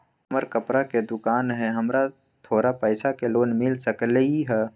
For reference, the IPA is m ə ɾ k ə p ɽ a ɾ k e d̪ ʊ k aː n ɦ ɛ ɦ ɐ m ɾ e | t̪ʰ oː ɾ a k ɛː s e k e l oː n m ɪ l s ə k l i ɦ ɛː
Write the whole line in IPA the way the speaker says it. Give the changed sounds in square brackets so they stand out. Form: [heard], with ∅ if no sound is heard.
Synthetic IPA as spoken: m ə ɾ k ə p [ɾ] a [∅] k e d̪ ʊ k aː n ɦ ɛ ɦ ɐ m ɾ [a] | t̪ʰ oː ɾ a [p] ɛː s [a] k e l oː n m ɪ l s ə k l i ɦ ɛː